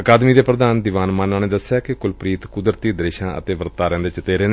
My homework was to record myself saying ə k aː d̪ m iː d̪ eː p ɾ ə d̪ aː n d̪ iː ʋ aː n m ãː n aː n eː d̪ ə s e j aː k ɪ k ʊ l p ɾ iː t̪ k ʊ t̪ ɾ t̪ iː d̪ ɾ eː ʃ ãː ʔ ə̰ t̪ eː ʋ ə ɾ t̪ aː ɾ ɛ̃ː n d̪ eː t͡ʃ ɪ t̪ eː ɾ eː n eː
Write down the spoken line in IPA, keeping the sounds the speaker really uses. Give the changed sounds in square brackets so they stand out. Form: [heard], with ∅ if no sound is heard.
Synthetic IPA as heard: ə k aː d̪ m iː d̪ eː p ɾ ə d̪ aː n d̪ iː ʋ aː n m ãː n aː n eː d̪ ə s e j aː k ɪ k ʊ l p ɾ iː t̪ k ʊ [d̪] ɾ t̪ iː d̪ ɾ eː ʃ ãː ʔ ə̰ t̪ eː ʋ ə ɾ t̪ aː ɾ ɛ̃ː n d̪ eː t͡ʃ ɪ t̪ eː ɾ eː n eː